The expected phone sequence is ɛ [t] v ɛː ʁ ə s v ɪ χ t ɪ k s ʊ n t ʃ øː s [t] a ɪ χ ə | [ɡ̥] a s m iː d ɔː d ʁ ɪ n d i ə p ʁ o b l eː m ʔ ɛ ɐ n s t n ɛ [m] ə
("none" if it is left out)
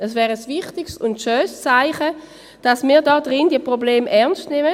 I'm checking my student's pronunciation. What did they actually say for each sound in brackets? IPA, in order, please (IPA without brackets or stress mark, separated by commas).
s, t͡s, d̥, m